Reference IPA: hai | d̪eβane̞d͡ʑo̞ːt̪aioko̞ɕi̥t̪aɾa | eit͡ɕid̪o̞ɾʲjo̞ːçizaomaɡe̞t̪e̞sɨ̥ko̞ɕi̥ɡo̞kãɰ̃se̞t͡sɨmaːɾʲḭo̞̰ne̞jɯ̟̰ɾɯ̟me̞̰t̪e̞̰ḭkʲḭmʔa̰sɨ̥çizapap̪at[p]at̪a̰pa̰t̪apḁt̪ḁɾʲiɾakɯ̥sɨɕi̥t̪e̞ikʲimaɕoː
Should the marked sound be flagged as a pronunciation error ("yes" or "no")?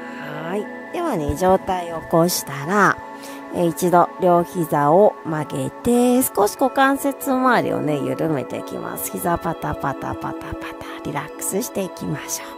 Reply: no